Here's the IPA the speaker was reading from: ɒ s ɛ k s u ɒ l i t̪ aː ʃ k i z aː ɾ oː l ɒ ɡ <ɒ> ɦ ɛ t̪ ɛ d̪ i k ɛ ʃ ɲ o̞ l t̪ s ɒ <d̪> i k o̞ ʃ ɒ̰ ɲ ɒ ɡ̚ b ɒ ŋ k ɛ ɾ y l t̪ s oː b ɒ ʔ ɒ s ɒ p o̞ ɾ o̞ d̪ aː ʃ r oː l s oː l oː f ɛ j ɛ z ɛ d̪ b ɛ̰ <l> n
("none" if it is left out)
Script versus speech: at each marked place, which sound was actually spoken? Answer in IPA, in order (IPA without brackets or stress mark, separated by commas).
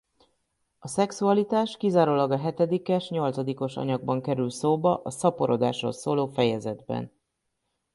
ɒ, d̪, none